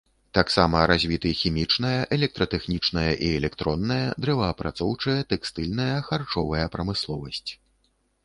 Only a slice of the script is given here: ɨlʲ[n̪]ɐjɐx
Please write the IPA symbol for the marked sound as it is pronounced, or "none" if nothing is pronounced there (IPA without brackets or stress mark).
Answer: n̪